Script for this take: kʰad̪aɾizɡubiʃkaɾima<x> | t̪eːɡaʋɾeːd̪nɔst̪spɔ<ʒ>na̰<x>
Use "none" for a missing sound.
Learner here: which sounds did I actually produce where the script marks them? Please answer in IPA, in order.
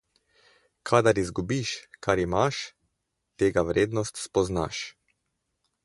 ʃ, z, ʃ

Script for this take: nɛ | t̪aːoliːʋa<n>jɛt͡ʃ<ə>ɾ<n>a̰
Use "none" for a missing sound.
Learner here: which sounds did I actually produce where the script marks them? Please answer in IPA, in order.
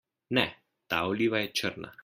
none, ə, n

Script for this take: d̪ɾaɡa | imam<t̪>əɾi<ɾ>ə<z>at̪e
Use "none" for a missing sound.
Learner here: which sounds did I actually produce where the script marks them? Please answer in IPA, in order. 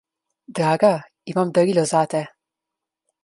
d̪, l, z

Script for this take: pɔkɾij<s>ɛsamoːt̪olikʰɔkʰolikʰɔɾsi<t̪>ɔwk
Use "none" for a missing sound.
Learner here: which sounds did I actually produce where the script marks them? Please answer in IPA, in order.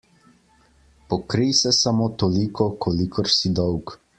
s, d̪

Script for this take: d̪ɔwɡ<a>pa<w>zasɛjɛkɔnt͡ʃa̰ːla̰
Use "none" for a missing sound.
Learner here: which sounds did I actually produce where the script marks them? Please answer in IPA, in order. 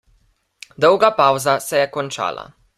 a, w

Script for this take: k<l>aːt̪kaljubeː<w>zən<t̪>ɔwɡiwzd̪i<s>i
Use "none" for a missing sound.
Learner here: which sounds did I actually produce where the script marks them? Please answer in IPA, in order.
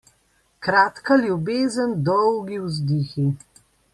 ɾ, none, d̪, x

